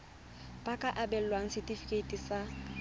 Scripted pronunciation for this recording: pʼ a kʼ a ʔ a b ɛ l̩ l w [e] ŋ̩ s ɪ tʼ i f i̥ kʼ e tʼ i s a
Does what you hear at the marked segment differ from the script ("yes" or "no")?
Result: yes